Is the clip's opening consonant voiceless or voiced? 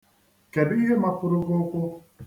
voiceless